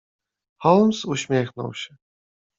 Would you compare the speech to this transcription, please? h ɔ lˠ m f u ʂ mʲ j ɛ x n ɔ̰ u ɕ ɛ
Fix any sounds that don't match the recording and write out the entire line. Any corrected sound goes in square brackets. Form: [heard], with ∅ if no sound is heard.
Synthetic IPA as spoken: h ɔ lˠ m [s] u [ɕ] mʲ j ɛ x n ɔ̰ [w] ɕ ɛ